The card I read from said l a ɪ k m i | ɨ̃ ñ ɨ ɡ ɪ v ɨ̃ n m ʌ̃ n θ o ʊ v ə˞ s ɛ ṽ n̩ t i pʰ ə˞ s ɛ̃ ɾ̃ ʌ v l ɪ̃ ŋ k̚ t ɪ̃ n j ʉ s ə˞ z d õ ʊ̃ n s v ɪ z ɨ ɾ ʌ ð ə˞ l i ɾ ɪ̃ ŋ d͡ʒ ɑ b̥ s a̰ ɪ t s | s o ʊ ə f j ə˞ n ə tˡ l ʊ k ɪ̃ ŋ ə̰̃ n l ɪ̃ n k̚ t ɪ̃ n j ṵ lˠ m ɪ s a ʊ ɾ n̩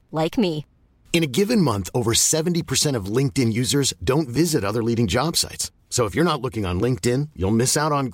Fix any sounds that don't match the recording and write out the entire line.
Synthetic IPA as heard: l a ɪ k m i | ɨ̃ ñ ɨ ɡ ɪ v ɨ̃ n m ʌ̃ n θ o ʊ v ə˞ s ɛ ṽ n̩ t i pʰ ə˞ s ɛ̃ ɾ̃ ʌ v l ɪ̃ ŋ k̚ t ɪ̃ n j ʉ z ə˞ z d õ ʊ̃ n t v ɪ z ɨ ɾ ʌ ð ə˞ l i ɾ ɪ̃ ŋ d͡ʒ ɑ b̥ s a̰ ɪ t s | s o ʊ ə f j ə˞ n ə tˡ l ʊ k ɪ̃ ŋ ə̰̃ n l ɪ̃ ŋ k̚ t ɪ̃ n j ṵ lˠ m ɪ s a ʊ ɾ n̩